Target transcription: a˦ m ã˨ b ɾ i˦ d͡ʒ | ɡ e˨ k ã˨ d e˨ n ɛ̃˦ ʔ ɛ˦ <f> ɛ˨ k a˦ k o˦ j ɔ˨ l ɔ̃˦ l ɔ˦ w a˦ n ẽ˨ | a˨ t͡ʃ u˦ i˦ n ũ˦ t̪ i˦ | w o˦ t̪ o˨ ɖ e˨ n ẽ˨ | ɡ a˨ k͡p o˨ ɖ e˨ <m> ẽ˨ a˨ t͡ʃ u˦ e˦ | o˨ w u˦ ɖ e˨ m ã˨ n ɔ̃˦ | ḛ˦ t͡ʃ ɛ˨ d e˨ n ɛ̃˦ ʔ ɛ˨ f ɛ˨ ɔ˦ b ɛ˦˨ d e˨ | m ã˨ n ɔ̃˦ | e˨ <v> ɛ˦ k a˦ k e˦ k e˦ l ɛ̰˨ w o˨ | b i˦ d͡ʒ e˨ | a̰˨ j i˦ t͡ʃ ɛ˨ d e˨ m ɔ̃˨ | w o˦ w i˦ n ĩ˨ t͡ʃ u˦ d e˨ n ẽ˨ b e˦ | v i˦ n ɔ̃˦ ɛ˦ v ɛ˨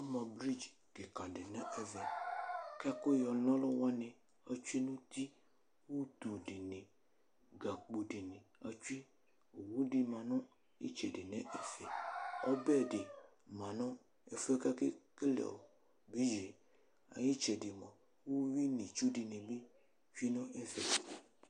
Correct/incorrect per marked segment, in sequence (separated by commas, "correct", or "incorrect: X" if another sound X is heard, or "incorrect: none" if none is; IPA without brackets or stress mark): incorrect: v, incorrect: n, incorrect: f